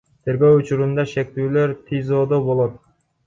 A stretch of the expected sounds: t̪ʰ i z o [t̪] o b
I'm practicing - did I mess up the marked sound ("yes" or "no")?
yes